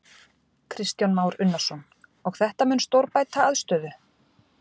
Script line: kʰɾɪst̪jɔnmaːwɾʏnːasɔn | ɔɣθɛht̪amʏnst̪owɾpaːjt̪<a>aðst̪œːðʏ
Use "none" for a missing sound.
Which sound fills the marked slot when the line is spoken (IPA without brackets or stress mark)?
a